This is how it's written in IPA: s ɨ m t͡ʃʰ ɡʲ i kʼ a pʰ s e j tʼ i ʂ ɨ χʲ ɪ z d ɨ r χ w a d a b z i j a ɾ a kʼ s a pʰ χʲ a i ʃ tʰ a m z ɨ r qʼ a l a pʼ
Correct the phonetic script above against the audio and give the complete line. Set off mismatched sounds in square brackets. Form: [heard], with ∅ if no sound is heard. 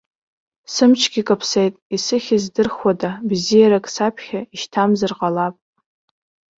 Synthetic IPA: s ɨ m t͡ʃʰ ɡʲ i kʼ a pʰ s e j tʼ i [s] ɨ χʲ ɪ z d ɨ r χ w a d a b z i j a ɾ a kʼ s a pʰ χʲ a i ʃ tʰ a m z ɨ r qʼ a l a pʼ